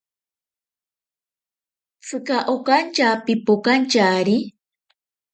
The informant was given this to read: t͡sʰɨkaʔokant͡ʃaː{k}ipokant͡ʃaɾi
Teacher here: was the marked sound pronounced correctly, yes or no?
no